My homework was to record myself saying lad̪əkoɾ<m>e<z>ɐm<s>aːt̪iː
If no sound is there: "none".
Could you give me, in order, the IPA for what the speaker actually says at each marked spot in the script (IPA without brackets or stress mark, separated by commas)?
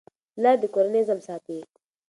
n, z, s